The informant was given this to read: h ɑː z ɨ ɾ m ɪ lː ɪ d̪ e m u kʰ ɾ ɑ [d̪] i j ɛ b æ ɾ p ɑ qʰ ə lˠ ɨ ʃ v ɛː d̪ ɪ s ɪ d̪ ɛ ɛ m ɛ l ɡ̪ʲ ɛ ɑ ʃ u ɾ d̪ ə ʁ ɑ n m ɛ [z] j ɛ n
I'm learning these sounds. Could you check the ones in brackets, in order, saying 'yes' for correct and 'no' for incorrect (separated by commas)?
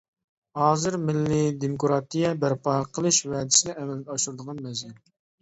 no, yes